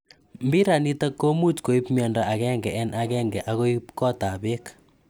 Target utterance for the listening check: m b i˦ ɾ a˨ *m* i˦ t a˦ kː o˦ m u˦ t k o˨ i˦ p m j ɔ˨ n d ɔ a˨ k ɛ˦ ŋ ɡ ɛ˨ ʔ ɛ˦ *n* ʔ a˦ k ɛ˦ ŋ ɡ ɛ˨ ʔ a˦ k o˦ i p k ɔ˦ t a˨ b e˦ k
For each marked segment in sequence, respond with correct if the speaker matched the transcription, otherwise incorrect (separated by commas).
incorrect, correct